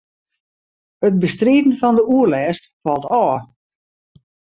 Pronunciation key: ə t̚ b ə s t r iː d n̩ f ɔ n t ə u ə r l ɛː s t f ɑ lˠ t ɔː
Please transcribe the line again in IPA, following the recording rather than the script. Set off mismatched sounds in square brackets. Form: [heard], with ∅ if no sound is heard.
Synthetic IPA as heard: ə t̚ b ə s t r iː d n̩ f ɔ n [d] ə u ə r l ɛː s t f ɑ lˠ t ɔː